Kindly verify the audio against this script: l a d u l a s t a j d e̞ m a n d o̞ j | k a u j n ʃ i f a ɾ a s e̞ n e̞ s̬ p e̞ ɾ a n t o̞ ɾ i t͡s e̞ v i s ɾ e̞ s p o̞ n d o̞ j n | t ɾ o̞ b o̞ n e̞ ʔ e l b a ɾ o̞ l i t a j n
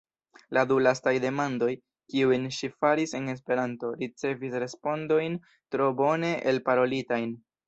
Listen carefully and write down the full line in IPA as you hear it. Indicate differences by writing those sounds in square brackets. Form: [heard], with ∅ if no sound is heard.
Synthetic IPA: l a d u l a s t a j d e̞ m a n d o̞ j | k [i] u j n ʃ i f a ɾ [i] s e̞ n e̞ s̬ p e̞ ɾ a n t o̞ ɾ i t͡s e̞ v i s ɾ e̞ s p o̞ n d o̞ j n | t ɾ o̞ b o̞ n e̞ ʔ e l [p] a ɾ o̞ l i t a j n